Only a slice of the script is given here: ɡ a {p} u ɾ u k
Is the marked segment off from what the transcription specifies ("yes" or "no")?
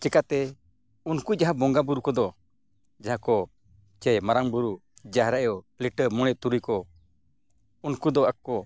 yes